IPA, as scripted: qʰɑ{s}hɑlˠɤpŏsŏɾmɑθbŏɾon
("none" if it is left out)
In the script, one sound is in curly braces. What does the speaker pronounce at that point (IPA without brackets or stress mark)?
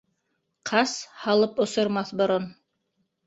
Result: s